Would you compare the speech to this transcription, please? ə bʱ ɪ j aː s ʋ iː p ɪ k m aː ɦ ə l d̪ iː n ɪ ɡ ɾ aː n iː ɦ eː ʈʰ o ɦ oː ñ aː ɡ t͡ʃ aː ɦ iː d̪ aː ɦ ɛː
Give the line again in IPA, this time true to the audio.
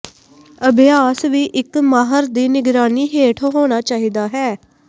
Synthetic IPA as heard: ə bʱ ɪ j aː s ʋ iː ʔ ɪ k m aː ɦ ə ɾ d̪ iː n ɪ ɡ ɾ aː n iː ɦ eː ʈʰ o ɦ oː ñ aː t͡ʃ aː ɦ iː d̪ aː ɦ ɛː